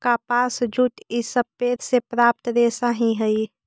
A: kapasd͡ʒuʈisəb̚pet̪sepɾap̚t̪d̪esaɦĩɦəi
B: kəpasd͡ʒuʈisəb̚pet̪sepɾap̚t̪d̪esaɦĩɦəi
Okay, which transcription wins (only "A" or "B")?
A